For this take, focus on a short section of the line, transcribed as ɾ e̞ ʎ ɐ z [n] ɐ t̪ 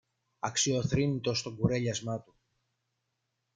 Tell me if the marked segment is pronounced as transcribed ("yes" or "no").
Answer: no